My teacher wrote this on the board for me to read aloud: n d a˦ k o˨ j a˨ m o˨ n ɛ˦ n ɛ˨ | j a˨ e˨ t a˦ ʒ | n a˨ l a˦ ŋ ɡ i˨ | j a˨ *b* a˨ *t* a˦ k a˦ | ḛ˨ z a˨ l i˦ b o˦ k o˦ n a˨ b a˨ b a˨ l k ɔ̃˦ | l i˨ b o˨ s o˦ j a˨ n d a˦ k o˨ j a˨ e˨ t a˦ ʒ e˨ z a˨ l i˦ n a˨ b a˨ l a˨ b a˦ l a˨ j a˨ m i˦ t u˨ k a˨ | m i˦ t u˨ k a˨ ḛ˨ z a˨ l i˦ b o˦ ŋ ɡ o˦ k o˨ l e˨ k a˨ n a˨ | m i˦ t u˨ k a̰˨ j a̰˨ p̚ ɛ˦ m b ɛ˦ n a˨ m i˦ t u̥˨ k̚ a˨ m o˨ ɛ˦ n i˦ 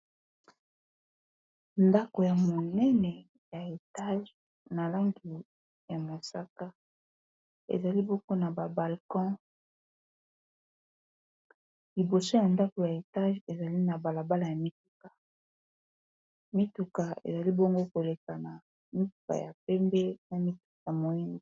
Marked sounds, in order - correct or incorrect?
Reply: incorrect, incorrect

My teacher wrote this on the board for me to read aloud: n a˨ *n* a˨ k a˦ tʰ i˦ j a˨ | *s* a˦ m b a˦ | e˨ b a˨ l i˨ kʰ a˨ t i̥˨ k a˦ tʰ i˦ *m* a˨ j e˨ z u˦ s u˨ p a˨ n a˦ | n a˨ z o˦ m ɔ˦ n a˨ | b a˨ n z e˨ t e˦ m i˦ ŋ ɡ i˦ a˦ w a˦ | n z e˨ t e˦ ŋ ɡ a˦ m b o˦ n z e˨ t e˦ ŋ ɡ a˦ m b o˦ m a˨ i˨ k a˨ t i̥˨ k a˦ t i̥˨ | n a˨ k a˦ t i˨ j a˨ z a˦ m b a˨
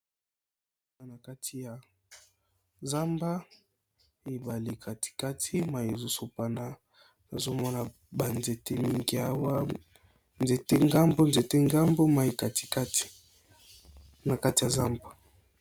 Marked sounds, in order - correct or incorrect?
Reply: correct, incorrect, correct

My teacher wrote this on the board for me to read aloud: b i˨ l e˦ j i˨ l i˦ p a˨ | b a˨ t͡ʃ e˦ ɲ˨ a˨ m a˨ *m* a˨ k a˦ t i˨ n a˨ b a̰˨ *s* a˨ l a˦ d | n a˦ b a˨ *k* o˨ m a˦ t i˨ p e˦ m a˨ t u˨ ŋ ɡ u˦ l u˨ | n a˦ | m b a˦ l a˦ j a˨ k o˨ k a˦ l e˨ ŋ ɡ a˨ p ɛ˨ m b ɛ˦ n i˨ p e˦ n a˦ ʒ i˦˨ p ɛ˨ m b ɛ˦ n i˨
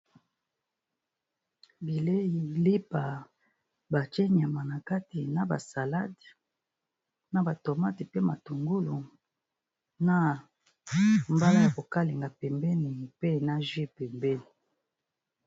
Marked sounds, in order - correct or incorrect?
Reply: incorrect, correct, incorrect

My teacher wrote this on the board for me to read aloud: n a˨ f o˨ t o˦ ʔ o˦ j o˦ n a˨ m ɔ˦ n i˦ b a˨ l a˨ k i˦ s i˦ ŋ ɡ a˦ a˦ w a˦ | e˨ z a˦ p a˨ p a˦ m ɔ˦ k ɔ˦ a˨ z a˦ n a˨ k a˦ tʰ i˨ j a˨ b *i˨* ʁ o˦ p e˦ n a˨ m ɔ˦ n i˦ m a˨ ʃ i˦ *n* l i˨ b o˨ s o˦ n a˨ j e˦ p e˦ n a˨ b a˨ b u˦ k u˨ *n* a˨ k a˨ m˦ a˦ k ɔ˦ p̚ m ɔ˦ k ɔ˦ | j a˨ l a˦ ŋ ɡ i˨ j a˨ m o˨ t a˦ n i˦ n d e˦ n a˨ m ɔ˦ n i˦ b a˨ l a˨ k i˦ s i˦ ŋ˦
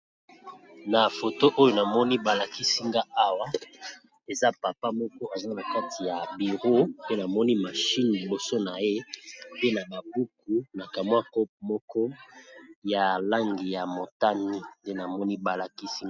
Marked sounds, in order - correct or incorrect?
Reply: correct, correct, correct

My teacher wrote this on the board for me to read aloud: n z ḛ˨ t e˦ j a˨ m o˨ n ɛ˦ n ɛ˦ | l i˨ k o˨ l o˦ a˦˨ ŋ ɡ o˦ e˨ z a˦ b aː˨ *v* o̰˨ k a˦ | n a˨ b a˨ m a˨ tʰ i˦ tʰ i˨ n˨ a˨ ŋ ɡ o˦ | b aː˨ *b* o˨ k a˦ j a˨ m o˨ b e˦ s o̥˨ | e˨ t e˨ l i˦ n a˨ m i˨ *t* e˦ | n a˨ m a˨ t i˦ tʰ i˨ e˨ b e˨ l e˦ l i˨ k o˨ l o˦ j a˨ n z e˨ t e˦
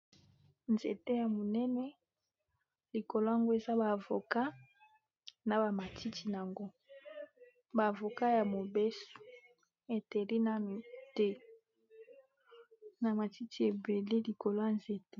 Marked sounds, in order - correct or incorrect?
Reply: correct, incorrect, correct

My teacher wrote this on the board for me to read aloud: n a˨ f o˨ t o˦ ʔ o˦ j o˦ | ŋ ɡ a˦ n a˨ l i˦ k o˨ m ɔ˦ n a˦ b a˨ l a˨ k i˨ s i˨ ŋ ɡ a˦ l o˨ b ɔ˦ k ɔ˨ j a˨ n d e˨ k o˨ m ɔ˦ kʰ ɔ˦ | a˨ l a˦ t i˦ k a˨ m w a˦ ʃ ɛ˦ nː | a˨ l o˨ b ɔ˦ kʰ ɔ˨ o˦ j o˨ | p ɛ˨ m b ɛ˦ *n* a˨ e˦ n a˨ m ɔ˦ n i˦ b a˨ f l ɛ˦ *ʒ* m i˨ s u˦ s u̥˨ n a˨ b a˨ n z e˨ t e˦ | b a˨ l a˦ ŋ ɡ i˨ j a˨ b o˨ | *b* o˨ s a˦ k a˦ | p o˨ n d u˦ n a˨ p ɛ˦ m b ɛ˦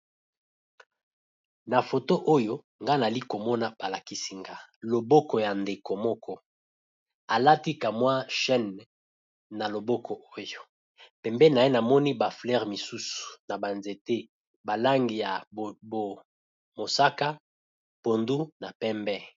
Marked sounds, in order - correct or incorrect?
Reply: correct, incorrect, incorrect

